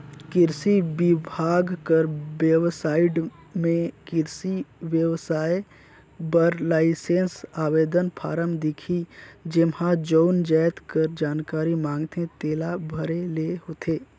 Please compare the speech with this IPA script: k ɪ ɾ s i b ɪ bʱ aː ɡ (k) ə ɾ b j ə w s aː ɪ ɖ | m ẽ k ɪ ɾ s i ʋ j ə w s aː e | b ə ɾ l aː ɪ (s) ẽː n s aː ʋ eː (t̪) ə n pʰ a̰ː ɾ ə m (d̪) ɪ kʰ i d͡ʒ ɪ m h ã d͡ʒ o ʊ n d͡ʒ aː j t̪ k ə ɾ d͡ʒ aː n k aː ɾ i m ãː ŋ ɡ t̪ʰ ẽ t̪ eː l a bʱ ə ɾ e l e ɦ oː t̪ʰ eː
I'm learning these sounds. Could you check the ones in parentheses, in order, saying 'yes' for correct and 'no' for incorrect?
yes, yes, no, yes

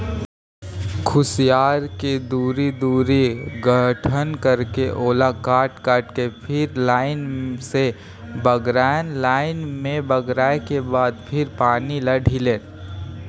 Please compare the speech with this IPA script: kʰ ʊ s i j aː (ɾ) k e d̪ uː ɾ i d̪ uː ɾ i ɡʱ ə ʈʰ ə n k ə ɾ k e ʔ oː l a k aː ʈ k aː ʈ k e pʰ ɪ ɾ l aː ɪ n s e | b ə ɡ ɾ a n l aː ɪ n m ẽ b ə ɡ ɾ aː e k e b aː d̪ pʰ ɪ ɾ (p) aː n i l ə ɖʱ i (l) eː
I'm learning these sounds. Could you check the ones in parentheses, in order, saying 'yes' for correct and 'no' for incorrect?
yes, yes, yes

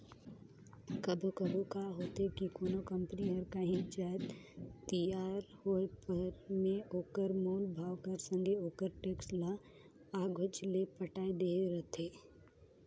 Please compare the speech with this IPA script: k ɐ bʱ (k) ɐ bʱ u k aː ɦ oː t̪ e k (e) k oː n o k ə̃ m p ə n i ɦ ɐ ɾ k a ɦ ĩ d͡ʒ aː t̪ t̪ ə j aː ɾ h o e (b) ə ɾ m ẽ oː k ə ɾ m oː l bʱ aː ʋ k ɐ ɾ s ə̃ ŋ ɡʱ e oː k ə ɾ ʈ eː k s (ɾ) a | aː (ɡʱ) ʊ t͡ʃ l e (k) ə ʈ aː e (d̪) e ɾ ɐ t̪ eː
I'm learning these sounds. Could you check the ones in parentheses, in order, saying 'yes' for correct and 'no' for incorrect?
yes, no, no, no, yes, no, yes

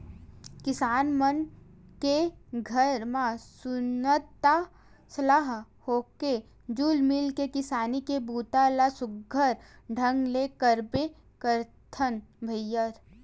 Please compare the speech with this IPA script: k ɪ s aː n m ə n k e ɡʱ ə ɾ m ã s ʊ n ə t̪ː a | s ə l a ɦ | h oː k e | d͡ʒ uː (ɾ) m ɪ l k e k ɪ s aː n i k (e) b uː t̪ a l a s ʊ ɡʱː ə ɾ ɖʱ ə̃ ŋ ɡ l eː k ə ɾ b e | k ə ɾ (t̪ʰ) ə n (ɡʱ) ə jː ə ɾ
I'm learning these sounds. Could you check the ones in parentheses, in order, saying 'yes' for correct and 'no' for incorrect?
no, yes, yes, no

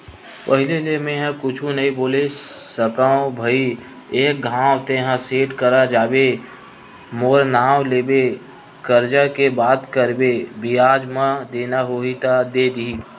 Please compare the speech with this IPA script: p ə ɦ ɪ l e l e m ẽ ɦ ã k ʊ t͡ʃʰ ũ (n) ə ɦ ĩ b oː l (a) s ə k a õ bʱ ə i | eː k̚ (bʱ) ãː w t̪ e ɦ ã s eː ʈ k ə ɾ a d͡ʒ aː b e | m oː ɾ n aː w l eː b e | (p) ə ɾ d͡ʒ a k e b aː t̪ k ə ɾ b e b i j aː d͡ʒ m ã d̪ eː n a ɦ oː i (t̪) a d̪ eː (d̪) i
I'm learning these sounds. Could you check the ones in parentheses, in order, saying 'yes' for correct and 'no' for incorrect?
yes, no, no, no, yes, yes

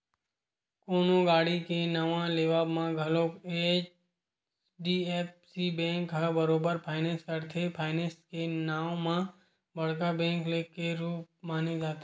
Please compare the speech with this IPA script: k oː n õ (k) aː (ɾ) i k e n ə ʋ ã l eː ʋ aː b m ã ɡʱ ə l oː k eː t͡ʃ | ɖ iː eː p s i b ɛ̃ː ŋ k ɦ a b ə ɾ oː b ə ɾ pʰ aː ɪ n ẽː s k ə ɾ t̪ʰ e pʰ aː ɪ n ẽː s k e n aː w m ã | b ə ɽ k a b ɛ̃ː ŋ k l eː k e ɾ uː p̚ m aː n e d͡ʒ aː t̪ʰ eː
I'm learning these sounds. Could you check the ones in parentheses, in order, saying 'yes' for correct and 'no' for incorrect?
no, no

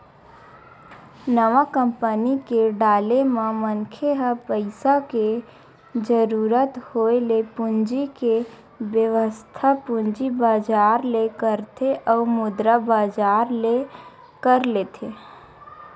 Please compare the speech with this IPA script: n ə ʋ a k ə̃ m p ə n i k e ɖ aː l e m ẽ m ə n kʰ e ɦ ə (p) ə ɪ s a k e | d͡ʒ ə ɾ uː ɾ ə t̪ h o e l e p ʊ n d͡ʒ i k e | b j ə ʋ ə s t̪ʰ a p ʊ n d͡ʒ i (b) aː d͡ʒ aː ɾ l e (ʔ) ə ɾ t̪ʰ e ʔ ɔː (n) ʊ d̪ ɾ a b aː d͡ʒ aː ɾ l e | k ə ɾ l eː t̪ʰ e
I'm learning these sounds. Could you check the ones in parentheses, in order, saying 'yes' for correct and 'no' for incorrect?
yes, yes, no, no

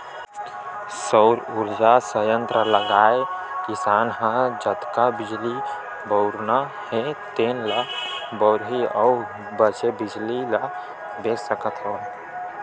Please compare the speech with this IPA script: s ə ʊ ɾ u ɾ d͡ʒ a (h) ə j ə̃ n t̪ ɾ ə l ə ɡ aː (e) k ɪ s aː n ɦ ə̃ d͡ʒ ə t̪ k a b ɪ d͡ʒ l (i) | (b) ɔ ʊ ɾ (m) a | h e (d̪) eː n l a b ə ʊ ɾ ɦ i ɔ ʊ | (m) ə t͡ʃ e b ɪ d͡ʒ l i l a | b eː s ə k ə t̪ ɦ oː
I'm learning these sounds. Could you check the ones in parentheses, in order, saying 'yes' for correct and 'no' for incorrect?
no, yes, yes, yes, no, no, no

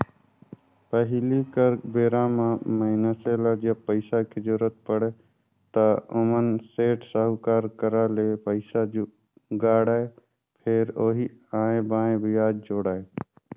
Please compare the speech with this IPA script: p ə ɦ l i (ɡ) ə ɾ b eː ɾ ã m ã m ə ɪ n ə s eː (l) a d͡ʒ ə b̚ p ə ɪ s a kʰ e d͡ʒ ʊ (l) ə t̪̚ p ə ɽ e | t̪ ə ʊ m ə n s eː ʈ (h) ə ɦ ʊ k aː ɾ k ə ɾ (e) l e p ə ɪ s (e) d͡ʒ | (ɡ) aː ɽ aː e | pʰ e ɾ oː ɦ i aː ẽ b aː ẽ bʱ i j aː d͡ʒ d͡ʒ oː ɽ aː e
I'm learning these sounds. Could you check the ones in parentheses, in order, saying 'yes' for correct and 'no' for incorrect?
no, yes, no, no, no, no, yes

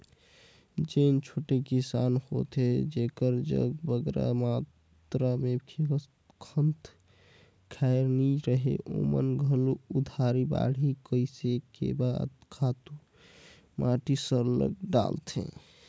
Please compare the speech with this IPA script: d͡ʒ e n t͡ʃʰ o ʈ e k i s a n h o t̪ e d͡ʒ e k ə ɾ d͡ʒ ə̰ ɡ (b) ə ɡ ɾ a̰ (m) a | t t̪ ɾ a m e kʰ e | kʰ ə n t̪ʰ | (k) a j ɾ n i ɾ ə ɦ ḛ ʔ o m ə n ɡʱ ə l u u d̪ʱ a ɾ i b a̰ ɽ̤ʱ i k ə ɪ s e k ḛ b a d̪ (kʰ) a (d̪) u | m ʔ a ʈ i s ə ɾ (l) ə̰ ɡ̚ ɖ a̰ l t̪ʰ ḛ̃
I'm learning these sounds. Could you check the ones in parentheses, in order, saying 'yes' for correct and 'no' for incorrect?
yes, yes, no, yes, no, yes

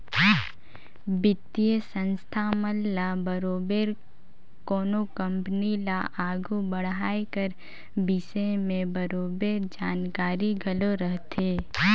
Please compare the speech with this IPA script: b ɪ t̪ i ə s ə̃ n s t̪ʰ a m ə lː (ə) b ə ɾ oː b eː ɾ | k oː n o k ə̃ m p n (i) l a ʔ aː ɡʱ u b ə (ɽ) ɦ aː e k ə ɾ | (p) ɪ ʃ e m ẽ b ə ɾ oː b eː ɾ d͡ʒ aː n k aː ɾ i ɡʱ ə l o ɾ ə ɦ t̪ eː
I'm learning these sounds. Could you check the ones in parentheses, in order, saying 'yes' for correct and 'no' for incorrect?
no, yes, yes, no

